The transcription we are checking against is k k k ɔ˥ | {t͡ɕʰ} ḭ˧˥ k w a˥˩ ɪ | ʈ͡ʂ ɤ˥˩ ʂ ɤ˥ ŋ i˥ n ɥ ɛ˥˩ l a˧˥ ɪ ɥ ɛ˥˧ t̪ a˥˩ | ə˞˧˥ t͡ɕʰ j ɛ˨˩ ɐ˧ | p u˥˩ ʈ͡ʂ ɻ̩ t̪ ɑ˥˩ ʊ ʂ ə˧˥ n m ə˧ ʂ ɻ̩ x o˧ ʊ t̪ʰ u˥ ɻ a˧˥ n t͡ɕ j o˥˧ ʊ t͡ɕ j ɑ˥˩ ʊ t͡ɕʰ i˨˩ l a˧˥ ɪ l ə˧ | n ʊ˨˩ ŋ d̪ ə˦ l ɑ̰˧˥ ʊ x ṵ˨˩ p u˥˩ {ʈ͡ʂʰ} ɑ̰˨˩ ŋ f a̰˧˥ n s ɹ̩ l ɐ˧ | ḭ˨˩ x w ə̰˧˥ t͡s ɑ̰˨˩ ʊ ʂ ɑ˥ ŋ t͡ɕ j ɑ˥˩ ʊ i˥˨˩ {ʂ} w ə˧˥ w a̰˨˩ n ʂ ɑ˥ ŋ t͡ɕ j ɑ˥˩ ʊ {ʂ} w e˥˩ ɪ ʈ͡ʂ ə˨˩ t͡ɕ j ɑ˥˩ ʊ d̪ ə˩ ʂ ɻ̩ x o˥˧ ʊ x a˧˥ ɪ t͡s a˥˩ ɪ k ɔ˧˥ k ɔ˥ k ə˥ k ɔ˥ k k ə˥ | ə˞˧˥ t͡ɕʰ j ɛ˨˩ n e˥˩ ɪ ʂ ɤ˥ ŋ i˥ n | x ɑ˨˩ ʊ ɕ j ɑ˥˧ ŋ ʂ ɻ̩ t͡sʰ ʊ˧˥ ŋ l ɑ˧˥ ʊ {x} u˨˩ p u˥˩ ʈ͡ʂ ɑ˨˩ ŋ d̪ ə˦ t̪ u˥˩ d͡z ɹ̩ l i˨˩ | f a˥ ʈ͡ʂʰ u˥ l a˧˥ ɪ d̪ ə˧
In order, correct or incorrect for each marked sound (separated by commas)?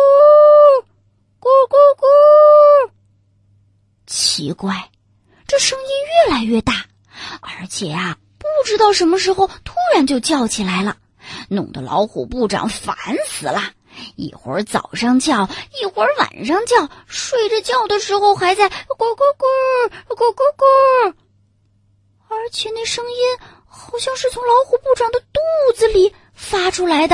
correct, incorrect, incorrect, correct, correct